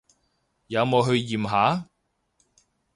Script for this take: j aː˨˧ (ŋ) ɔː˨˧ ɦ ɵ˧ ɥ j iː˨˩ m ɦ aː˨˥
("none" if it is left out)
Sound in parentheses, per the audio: m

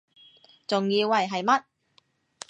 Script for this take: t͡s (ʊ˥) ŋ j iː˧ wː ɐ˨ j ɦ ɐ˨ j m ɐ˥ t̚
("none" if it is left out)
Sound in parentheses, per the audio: ʊ˨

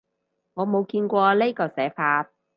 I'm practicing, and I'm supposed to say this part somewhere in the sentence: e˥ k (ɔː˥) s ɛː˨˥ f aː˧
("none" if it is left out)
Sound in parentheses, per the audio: ɔː˧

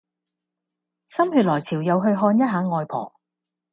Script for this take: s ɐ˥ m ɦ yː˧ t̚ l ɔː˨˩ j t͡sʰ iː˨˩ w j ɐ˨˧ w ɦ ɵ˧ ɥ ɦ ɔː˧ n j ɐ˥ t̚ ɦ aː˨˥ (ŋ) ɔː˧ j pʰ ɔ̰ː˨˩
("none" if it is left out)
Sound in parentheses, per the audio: ŋ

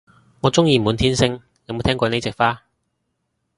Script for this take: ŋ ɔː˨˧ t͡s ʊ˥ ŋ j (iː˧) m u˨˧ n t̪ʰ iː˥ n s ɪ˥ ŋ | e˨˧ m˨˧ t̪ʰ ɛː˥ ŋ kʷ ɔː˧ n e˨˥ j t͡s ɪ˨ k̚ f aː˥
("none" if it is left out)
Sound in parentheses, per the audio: iː˧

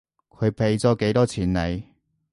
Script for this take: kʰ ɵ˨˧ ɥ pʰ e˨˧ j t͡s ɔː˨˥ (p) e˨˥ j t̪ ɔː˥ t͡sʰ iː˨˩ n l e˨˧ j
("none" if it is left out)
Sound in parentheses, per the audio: k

